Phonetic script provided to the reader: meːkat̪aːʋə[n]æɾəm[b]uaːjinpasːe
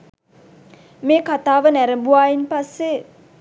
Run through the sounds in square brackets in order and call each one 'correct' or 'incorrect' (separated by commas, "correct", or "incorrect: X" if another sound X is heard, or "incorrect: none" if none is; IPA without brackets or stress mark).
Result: correct, correct